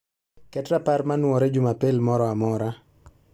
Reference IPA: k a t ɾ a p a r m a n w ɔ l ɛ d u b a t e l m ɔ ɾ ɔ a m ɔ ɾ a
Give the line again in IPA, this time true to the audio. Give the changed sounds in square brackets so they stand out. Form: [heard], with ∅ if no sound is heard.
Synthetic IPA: k [ɛ] t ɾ a p a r m a n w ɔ [ɾ] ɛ [d͡ʒ] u [m] a [p] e l m ɔ ɾ ɔ a m ɔ ɾ a